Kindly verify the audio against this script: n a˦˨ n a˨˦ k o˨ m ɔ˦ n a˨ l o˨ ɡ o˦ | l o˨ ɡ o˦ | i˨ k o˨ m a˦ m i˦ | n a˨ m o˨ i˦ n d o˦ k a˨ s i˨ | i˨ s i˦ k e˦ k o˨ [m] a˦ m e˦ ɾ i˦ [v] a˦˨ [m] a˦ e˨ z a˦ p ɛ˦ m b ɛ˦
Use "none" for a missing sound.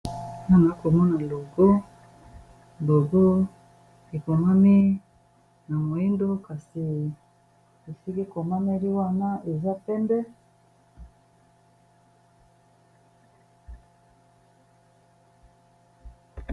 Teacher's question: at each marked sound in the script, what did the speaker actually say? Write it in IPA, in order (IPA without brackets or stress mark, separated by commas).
m, w, n